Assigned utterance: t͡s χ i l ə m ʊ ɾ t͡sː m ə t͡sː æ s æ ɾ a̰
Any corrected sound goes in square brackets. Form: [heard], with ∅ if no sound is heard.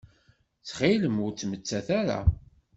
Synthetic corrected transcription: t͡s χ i l ə m ʊ ɾ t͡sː m ə t͡sː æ [θ] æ ɾ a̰